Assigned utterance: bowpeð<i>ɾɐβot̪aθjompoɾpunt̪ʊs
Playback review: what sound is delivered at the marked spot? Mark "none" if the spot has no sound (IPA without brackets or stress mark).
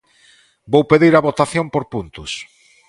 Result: i